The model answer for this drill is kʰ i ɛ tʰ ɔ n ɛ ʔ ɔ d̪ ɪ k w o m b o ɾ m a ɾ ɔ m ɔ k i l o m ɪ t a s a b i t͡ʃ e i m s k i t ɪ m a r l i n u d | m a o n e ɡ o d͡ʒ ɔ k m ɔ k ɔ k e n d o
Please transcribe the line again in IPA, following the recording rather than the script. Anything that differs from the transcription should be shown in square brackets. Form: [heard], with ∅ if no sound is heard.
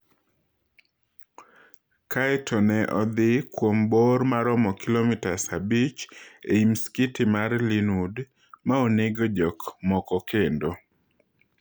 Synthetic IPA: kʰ [a] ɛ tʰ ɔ n ɛ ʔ ɔ d̪ ɪ k w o m b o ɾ m a ɾ ɔ m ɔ k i l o m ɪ t a s a b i t͡ʃ e i m s k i t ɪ m a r l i n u d | m a o n e ɡ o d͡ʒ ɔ k m ɔ k ɔ k e n d o